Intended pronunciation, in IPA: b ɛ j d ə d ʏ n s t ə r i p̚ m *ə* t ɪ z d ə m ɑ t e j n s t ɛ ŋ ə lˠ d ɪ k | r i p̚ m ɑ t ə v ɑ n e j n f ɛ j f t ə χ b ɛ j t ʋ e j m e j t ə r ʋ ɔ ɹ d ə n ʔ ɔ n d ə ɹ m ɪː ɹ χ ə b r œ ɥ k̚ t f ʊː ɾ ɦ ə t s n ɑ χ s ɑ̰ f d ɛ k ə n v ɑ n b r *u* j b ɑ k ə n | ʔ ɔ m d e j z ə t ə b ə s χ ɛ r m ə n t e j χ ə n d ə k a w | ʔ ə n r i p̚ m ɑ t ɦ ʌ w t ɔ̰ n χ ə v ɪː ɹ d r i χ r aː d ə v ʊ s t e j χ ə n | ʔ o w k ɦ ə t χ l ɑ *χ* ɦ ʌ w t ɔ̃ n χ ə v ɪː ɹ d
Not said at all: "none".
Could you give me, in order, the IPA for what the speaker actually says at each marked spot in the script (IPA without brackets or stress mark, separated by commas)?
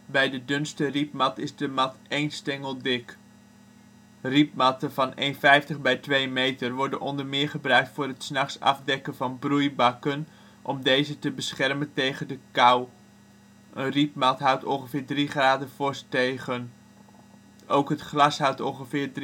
ɑ, u, s